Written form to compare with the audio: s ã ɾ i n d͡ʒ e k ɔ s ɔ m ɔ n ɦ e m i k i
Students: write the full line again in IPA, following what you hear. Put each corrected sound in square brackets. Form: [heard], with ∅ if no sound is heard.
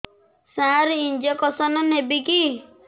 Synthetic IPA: s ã ɾ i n d͡ʒ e k ɔ s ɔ [n] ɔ n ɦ e [b] i k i